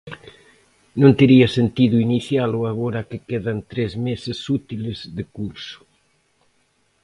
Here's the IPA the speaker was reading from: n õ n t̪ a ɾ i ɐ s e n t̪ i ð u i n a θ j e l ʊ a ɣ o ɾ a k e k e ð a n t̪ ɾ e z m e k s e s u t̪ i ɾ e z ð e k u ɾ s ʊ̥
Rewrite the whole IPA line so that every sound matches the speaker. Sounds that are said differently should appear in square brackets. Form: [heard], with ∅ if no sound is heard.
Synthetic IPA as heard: n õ n t̪ [e] ɾ i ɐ s e n t̪ i ð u i n [i] θ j [a] l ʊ a ɣ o ɾ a k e k e ð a n t̪ ɾ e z m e [∅] s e s u t̪ i [l] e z ð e k u ɾ s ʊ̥